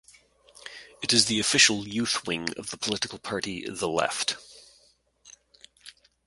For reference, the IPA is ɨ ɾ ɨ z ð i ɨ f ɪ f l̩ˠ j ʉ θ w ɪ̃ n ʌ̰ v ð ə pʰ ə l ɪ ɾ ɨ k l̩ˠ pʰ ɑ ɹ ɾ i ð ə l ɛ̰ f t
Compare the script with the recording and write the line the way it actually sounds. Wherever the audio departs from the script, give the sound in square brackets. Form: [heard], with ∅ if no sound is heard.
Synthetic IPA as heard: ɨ ɾ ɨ z ð i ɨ f ɪ [ʃ] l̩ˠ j ʉ θ w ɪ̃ [ŋ] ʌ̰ v ð ə pʰ ə l ɪ ɾ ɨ k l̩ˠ pʰ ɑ ɹ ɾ i ð ə l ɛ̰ f t

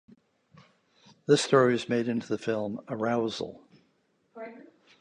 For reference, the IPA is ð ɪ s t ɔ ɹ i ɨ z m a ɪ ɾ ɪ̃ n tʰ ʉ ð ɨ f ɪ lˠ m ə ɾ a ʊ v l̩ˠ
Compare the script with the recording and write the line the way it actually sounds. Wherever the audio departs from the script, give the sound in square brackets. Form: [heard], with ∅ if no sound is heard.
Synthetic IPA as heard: ð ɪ s t ɔ ɹ i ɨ z m [e] ɪ ɾ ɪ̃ n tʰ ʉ ð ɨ f ɪ lˠ m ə [ɹ] a ʊ [z] l̩ˠ

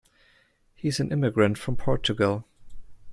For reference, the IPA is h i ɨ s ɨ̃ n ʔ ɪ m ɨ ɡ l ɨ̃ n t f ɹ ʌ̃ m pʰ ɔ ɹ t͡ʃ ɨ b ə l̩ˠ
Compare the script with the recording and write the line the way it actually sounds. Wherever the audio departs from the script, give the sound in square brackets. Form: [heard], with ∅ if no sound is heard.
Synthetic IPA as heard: h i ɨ [z] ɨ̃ n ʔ ɪ m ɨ ɡ [ɹ] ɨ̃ n t f ɹ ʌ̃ m pʰ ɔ ɹ t͡ʃ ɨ [ɡ] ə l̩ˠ

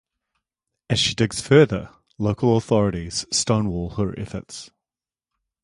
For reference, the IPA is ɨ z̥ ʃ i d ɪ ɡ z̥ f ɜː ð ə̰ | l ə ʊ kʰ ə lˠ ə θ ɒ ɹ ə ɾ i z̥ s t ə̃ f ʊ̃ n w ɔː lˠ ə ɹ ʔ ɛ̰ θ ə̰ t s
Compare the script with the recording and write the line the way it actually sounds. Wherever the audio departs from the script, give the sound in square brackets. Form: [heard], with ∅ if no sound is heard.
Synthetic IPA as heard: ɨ z̥ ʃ i d ɪ ɡ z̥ f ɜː ð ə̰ | l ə ʊ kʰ ə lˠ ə θ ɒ ɹ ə ɾ i z̥ s t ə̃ [∅] ʊ̃ n w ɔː lˠ ə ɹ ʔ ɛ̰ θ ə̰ t s

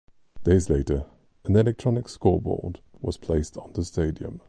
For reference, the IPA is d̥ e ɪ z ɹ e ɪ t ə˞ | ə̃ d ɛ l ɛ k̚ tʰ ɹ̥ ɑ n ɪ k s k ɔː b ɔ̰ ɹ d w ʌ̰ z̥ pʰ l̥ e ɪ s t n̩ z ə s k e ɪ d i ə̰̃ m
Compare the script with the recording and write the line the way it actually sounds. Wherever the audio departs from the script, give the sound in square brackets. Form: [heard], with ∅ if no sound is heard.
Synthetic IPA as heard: d̥ e ɪ z [l] e ɪ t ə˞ | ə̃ [n] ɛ l ɛ k̚ tʰ ɹ̥ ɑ n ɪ k s k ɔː b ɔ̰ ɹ d w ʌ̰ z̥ pʰ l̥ e ɪ s t n̩ [ð] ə s [t] e ɪ d i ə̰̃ m

